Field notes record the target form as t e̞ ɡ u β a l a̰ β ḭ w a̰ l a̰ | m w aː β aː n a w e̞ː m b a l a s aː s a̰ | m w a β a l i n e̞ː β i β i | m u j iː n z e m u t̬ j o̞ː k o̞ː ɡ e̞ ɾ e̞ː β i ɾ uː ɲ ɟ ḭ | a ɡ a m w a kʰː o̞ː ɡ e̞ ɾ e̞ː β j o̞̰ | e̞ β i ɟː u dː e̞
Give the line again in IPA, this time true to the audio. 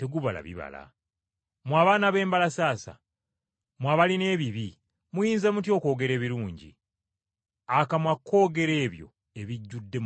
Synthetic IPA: t e̞ ɡ u β a l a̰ β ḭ β a̰ l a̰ | m w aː β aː n a β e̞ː m b a l a s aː s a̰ | m w a β a l i n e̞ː β i β i | m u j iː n z e m u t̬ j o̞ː k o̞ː ɡ e̞ ɾ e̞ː β i ɾ uː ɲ ɟ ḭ | a k a m w a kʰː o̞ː ɡ e̞ ɾ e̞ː β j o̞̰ | e̞ β i ɟː u dː e̞